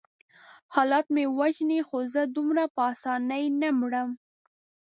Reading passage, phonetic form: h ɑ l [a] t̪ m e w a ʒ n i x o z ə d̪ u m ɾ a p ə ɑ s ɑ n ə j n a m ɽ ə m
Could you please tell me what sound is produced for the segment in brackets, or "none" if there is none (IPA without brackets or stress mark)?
ɑ